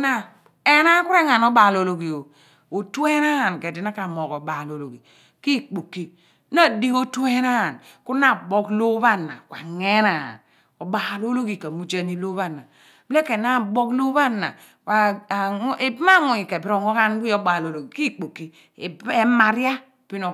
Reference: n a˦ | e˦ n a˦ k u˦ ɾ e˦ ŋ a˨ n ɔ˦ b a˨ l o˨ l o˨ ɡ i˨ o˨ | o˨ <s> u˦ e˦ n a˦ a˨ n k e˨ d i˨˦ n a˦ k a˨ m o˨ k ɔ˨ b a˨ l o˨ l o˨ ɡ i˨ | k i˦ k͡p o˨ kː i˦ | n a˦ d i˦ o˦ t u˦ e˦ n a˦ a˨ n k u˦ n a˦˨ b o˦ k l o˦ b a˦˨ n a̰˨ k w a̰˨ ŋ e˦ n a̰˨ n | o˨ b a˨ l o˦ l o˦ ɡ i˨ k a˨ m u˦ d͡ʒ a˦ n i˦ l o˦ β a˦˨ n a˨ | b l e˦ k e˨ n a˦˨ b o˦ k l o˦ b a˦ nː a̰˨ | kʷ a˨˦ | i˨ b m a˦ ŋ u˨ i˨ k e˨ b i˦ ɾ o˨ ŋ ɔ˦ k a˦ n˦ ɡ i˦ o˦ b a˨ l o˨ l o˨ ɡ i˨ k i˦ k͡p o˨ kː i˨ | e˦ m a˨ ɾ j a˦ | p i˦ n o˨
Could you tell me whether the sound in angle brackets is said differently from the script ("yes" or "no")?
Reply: yes